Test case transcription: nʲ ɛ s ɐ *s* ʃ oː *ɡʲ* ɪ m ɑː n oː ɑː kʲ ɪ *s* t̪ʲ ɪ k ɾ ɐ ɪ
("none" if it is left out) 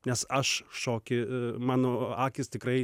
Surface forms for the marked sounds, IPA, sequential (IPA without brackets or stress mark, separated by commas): ʃ, kʲ, s